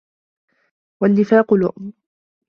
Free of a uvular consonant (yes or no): no